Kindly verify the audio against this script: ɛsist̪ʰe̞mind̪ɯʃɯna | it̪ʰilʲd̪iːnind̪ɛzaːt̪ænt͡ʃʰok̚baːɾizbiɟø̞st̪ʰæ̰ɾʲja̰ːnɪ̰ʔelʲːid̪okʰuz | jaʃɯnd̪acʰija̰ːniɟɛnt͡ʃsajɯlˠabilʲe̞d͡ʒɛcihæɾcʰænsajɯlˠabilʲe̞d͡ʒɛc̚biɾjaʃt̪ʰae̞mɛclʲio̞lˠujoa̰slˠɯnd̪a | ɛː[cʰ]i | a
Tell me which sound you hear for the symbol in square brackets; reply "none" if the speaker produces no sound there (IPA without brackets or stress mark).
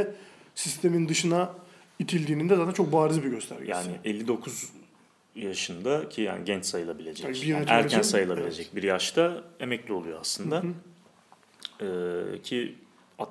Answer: cʰ